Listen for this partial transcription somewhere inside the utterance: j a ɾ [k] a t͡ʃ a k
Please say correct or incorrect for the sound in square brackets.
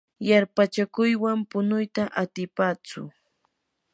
incorrect